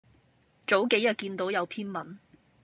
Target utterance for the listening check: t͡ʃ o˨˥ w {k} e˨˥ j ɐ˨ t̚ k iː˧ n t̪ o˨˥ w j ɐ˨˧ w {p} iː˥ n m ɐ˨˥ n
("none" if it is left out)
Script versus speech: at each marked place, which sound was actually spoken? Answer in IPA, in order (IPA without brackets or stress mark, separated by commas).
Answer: k, pʰ